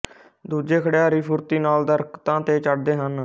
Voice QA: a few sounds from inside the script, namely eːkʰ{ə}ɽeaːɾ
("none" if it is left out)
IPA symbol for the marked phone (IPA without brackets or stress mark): ə